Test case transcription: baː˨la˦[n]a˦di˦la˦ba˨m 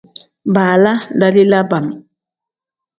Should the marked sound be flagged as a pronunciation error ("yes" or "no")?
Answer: yes